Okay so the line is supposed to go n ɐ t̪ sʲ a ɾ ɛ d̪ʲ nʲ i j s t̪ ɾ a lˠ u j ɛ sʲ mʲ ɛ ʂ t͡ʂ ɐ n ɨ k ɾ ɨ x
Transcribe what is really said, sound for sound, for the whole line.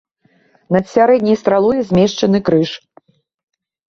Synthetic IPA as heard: n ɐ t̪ sʲ a ɾ ɛ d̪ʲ nʲ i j s t̪ ɾ a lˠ u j ɛ zʲ mʲ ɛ ʂ t͡ʂ ɐ n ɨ k ɾ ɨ ʂ